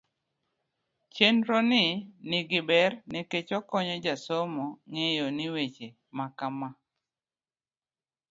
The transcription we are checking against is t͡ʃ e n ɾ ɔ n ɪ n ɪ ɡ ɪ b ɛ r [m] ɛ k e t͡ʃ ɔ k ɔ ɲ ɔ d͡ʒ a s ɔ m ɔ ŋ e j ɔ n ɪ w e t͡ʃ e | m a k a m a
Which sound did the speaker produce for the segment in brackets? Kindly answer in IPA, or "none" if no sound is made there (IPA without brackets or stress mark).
n